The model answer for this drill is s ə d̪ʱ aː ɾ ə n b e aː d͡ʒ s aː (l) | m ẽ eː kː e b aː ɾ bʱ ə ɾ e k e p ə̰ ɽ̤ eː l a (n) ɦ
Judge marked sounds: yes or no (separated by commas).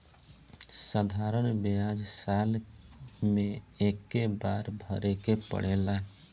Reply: yes, no